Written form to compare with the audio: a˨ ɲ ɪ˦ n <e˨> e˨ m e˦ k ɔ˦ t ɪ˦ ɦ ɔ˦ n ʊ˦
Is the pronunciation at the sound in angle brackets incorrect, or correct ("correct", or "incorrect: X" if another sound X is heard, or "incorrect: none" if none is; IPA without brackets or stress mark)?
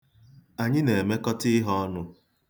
correct